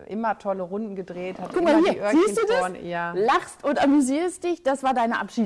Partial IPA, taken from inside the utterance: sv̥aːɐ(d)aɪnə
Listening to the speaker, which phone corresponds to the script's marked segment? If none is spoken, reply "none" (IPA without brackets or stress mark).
d